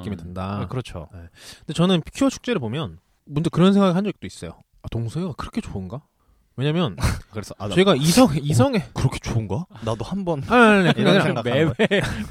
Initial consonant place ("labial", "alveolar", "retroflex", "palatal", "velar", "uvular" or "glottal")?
velar